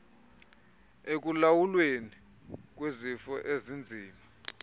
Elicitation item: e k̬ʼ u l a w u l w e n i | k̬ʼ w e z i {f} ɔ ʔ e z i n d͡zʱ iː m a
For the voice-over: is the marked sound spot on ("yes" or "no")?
yes